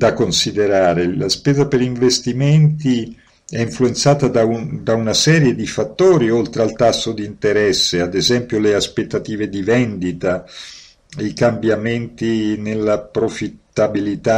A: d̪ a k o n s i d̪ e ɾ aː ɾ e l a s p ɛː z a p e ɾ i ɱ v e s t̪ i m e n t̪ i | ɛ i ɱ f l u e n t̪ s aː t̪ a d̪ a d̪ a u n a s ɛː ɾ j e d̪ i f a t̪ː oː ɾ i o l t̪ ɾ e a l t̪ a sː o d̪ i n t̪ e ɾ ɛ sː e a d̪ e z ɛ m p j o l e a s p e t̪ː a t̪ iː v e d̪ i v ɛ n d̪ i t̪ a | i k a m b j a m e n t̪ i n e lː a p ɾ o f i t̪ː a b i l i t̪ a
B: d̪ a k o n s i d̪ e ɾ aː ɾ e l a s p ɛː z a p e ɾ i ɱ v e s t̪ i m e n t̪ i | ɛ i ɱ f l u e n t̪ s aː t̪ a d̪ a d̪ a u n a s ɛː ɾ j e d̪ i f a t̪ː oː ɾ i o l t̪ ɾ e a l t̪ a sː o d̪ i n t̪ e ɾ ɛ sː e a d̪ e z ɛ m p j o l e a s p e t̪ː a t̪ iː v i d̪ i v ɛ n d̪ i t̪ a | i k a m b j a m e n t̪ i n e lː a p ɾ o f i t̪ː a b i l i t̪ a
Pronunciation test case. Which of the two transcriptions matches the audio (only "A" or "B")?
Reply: A